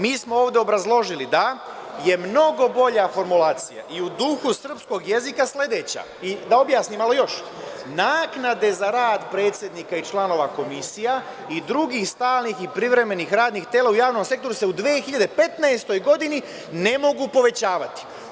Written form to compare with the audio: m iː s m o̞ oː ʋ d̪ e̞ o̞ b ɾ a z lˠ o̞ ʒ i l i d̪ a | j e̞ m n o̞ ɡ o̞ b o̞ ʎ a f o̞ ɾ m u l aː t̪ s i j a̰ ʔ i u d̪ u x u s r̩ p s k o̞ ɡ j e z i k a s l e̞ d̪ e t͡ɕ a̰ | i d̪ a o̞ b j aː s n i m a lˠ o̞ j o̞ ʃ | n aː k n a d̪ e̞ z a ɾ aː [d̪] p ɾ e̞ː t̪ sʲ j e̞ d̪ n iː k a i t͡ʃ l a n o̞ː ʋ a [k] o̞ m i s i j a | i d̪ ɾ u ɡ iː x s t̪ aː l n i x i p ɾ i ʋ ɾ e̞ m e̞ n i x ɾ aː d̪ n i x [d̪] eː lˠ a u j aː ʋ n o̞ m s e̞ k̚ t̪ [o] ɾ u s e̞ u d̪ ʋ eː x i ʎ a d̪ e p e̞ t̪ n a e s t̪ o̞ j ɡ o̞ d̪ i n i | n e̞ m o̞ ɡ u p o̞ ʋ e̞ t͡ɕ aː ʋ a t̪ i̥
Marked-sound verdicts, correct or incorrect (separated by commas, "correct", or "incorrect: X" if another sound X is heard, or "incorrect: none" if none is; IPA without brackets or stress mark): correct, correct, incorrect: t̪, correct